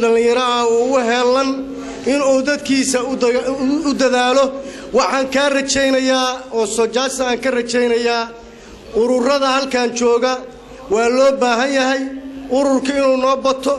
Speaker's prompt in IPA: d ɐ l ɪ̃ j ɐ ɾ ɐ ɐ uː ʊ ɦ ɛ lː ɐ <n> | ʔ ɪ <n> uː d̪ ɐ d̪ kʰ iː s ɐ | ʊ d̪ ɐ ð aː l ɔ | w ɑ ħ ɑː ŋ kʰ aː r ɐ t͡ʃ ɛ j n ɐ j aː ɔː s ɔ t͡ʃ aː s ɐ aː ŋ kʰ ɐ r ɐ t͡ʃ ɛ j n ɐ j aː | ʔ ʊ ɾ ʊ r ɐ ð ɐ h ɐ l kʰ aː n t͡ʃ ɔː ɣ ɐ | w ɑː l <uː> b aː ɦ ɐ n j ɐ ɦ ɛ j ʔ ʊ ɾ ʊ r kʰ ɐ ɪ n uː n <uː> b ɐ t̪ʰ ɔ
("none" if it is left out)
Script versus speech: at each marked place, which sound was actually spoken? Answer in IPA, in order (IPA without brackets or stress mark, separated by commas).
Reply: n, n, ɔː, ɔː